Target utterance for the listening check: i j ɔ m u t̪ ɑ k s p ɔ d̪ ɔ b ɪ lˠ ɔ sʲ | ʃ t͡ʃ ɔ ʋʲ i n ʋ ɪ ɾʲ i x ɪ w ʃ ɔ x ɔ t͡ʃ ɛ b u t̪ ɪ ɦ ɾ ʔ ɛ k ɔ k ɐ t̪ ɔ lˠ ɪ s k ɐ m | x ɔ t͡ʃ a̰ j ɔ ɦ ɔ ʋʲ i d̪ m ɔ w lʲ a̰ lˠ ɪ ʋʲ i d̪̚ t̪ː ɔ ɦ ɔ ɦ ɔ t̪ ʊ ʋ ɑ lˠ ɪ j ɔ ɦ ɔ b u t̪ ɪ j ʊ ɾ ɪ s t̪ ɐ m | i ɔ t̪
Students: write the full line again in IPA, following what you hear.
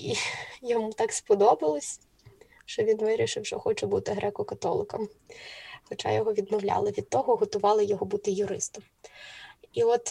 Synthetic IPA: i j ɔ m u t̪ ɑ k s p ɔ d̪ ɔ b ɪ lˠ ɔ sʲ | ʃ t͡ʃ ɔ ʋʲ i n ʋ ɪ ɾʲ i ʃ ɪ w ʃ ɔ x ɔ t͡ʃ ɛ b u t̪ ɪ ɦ ɾ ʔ ɛ k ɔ k ɐ t̪ ɔ lˠ ɪ k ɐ m | x ɔ t͡ʃ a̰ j ɔ ɦ ɔ ʋʲ i d̪ m ɔ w lʲ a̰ lˠ ɪ ʋʲ i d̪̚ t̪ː ɔ ɦ ɔ ɦ ɔ t̪ ʊ ʋ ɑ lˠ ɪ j ɔ ɦ ɔ b u t̪ ɪ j ʊ ɾ ɪ s t̪ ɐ m | i ɔ t̪